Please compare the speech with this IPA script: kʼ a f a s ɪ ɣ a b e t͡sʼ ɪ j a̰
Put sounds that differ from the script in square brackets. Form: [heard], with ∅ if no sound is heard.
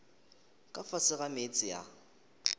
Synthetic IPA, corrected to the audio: kʼ a f a s ɪ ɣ a [m] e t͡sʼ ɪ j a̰